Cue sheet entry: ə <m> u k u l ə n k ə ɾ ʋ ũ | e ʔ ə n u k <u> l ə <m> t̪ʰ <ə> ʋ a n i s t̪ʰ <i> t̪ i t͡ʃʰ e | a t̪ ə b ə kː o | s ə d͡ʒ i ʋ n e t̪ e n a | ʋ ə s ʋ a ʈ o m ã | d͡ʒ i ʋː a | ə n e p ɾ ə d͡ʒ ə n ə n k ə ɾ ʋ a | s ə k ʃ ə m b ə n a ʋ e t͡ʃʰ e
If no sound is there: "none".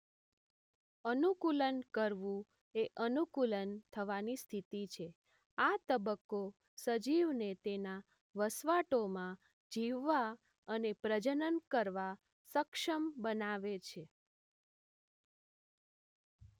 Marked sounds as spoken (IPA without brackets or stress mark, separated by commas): n, u, n, ə, i